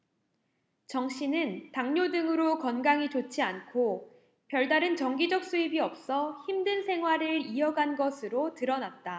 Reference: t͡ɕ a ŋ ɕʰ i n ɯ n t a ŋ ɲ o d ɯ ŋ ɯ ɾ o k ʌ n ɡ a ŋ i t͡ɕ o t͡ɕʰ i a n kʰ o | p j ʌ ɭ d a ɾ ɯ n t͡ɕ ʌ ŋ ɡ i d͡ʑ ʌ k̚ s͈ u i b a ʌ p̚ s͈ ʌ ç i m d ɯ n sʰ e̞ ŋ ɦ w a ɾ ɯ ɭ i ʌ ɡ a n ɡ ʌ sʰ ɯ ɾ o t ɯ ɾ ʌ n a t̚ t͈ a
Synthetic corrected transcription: t͡ɕ ʌ ŋ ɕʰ i n ɯ n t a ŋ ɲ o d ɯ ŋ ɯ ɾ o k ʌ n ɡ a ŋ i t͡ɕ o t͡ɕʰ i a n kʰ o | p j ʌ ɭ d a ɾ ɯ n t͡ɕ ʌ ŋ ɡ i d͡ʑ ʌ k̚ s͈ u i b i ʌ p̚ s͈ ʌ ç i m d ɯ n sʰ e̞ ŋ ɦ w a ɾ ɯ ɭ i ʌ ɡ a n ɡ ʌ sʰ ɯ ɾ o t ɯ ɾ ʌ n a t̚ t͈ a